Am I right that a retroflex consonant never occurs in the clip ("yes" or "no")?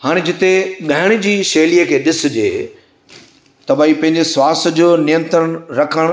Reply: no